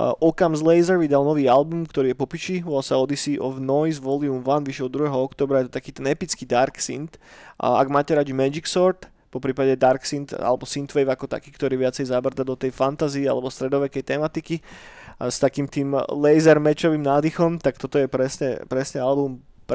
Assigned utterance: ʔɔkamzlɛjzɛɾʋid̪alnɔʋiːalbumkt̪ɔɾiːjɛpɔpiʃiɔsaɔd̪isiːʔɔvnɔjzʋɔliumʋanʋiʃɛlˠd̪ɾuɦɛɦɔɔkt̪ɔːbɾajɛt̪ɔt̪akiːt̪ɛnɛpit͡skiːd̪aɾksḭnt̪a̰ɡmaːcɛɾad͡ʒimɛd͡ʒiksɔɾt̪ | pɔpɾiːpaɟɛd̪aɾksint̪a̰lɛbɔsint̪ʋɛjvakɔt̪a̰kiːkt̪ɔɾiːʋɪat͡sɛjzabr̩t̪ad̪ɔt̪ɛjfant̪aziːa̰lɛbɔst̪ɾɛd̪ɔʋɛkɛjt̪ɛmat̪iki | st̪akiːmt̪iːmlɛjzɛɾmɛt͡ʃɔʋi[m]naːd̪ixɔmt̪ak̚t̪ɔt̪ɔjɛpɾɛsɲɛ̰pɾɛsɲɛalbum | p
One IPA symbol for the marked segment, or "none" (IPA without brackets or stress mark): m